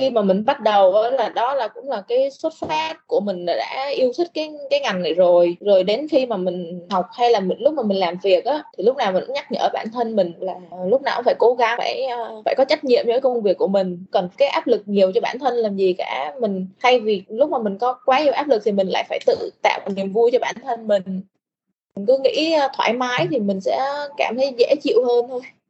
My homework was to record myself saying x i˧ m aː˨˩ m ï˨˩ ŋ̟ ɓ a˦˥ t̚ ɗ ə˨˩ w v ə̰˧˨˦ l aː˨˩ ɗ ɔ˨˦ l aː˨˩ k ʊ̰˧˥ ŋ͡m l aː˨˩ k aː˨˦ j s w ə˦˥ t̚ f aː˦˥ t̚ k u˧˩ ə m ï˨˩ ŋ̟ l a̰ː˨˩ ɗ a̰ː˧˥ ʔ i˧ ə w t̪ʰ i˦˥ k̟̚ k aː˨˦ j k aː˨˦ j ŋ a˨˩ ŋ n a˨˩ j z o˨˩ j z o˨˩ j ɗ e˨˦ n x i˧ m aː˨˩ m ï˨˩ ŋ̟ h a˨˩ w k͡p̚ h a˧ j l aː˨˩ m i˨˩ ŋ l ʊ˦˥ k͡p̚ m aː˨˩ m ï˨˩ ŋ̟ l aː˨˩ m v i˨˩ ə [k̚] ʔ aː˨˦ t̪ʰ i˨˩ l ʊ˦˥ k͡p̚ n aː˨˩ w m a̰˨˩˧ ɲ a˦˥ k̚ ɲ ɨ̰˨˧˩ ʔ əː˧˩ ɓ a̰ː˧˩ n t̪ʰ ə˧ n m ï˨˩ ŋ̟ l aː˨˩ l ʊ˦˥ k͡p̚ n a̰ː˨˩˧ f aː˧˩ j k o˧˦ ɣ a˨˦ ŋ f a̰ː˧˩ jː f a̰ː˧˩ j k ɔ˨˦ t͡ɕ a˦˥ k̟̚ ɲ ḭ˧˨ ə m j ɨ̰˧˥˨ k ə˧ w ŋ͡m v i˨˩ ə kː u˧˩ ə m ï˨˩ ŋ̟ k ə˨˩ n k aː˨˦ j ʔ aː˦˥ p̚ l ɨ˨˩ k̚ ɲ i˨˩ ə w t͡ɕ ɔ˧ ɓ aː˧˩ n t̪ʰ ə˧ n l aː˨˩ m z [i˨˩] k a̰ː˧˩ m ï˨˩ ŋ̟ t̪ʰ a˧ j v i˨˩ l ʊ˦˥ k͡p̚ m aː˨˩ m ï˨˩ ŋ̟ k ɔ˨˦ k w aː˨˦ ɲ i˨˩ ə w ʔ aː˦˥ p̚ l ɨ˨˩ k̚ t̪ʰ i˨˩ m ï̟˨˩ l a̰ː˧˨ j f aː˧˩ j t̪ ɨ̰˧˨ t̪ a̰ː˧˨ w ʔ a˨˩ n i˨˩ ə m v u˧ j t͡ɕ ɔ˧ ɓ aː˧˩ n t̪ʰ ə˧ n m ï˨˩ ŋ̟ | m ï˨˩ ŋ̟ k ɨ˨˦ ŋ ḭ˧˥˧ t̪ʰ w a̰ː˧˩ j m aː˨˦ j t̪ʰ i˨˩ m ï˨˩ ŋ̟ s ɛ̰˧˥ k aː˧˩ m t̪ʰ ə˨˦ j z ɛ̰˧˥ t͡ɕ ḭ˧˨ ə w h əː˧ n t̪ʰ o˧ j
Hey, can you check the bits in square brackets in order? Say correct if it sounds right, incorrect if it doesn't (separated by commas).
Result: correct, correct